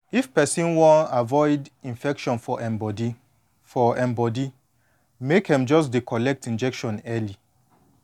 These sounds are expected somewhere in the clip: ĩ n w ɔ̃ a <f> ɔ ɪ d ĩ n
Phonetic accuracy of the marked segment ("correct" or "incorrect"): incorrect